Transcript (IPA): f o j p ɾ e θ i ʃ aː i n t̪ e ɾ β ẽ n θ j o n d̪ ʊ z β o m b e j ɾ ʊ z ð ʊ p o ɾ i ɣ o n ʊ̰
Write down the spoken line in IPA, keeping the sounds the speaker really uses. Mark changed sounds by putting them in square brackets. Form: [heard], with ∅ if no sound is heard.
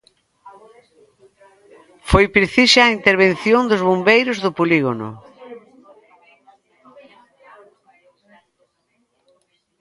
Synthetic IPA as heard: f o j p ɾ e θ i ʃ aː i n t̪ e ɾ β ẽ n θ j o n d̪ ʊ z β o m b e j ɾ ʊ z ð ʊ p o [l] i ɣ o n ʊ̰